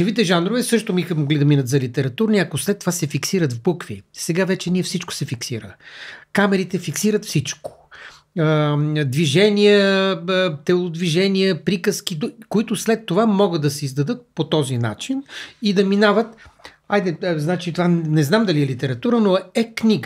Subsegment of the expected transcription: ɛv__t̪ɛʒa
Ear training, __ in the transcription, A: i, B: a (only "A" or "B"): A